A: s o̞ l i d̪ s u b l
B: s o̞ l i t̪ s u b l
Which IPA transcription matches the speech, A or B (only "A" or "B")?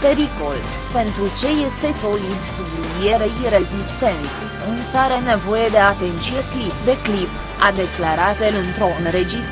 A